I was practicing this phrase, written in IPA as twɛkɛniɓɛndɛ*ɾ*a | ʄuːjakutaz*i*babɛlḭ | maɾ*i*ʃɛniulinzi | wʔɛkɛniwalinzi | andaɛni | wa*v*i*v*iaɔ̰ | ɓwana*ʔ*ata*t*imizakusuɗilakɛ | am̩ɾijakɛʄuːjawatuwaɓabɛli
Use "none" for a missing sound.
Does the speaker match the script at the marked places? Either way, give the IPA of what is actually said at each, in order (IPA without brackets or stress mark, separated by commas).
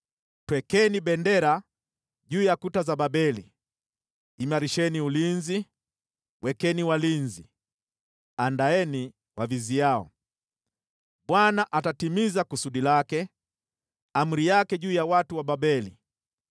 ɾ, a, i, v, z, ʔ, t